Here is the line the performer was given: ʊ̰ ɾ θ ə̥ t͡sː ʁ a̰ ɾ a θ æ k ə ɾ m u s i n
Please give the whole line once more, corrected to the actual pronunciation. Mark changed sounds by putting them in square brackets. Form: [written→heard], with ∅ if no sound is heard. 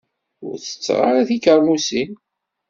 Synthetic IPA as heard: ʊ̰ ɾ θ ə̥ t͡sː ʁ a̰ ɾ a θ [æ→i] k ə ɾ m u s i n